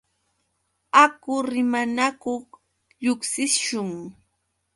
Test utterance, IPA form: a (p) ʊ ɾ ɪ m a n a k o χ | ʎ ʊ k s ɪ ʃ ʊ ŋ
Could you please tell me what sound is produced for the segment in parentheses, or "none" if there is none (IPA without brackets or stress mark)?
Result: k